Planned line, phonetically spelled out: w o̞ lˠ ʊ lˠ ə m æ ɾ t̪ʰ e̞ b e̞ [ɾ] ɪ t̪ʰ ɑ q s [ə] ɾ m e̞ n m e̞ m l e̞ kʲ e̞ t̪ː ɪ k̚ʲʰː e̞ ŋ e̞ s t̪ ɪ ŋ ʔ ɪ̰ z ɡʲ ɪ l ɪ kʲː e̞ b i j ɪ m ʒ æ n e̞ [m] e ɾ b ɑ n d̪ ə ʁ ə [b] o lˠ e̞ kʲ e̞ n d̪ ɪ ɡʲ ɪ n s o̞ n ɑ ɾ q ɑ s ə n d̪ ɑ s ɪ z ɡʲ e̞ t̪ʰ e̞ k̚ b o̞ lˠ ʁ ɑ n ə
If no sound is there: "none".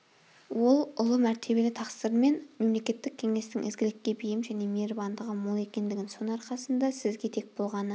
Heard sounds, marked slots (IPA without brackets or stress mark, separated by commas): l, ə, m, m